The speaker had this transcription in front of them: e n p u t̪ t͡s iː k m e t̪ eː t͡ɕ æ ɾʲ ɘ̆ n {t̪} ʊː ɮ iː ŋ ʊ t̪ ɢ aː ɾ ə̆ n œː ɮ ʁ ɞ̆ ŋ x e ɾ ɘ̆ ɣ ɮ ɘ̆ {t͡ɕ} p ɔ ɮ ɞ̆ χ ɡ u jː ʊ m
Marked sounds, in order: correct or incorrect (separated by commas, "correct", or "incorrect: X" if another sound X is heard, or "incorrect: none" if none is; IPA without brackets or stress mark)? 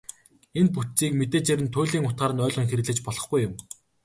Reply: incorrect: t̪ʰ, correct